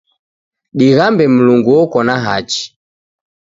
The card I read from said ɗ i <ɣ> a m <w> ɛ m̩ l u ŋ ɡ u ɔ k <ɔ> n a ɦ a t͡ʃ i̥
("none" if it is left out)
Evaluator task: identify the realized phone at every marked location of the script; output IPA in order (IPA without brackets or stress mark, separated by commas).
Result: ɣ, b, ɔ